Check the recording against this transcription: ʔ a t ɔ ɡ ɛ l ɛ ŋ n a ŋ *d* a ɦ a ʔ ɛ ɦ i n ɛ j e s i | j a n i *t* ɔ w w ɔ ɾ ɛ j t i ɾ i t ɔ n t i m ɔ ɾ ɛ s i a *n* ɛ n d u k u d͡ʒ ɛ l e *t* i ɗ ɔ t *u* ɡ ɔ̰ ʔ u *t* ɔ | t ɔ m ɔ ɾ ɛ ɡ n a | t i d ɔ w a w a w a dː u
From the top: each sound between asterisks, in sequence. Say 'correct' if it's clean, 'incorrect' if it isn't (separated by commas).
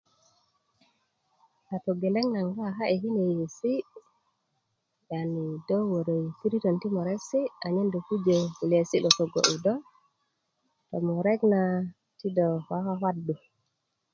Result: incorrect, incorrect, incorrect, incorrect, incorrect, incorrect